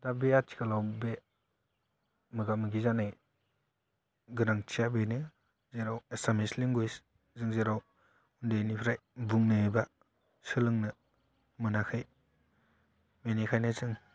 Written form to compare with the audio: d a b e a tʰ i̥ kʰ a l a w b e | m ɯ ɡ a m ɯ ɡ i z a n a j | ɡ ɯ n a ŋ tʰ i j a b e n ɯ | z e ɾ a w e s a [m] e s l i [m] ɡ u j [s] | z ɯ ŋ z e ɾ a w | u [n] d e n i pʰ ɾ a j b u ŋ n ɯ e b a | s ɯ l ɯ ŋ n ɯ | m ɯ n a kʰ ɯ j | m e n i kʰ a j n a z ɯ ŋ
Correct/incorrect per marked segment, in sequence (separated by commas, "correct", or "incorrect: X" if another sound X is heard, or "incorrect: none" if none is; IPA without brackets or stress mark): correct, incorrect: ŋ, correct, correct